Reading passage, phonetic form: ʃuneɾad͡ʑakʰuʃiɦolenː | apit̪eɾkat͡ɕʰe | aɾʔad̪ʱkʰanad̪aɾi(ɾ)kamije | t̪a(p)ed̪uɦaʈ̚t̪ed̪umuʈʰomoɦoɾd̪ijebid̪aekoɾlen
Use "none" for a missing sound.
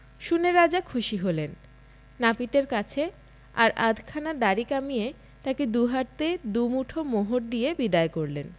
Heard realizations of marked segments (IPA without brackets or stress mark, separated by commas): none, k